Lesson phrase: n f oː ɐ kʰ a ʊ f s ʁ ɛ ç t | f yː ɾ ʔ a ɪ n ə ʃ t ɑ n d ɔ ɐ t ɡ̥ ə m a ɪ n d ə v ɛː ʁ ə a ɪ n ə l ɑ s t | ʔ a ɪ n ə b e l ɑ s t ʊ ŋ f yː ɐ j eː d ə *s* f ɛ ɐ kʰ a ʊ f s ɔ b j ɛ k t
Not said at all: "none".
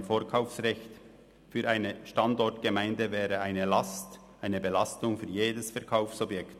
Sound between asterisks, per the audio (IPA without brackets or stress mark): s